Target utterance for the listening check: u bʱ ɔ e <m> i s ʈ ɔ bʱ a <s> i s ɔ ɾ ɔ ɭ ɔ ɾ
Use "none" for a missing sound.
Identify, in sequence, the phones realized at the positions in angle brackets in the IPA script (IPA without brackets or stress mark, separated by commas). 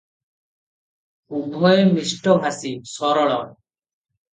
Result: m, s